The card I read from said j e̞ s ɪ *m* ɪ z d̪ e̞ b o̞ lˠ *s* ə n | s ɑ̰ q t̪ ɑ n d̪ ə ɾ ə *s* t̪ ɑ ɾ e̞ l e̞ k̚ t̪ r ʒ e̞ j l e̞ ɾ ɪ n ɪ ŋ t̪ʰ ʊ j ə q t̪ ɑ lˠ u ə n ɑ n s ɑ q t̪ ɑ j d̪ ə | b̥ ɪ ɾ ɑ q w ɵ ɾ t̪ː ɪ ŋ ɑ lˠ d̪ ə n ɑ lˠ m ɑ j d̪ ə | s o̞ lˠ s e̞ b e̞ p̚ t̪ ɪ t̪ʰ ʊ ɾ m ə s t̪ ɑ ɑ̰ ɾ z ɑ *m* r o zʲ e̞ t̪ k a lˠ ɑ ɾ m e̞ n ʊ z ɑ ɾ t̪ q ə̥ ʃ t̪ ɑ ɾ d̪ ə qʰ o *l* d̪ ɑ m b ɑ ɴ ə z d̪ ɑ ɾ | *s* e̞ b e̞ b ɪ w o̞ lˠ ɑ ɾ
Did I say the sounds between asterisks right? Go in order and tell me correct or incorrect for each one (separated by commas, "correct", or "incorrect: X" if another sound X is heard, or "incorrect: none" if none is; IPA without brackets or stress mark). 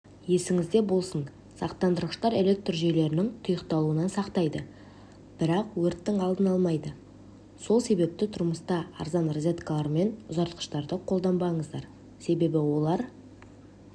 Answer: incorrect: ŋ, correct, incorrect: ʃ, incorrect: n, correct, correct